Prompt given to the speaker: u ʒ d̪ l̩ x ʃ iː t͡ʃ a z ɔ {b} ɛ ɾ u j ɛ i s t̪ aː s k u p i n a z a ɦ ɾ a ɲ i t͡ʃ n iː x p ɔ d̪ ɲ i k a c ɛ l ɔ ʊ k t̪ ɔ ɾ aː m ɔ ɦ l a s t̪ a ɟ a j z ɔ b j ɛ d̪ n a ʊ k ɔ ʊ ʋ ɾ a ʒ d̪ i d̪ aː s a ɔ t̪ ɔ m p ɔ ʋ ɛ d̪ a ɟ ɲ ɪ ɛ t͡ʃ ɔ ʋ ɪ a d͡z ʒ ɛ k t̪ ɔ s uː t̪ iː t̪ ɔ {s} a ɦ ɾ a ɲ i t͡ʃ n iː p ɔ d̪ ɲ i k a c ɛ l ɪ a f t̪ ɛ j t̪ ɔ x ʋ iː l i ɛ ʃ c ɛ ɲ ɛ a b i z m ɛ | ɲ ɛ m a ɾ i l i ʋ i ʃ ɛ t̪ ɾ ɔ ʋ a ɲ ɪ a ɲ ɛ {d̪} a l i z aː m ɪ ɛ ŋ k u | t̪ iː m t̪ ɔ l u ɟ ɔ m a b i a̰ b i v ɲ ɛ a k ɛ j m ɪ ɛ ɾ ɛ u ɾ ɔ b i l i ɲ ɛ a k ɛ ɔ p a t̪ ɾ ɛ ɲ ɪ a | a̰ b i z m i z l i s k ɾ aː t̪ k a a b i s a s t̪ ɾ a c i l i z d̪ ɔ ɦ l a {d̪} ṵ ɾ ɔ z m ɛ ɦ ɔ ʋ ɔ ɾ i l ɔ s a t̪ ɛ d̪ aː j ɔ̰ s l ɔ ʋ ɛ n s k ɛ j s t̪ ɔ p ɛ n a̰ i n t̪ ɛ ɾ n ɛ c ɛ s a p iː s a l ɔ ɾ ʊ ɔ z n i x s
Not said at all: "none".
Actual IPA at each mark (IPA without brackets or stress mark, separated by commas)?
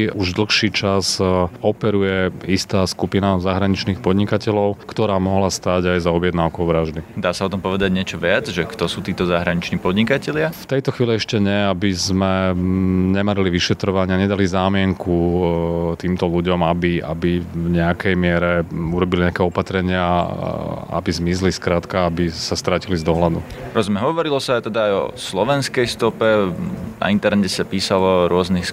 p, z, d̪, d̪